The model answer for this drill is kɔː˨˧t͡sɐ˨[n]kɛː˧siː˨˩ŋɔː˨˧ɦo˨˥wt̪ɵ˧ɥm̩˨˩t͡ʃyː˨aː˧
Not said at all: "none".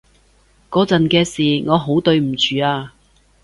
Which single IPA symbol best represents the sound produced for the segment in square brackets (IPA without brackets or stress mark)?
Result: n